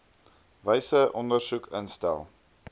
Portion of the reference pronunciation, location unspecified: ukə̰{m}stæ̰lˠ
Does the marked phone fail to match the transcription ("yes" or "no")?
yes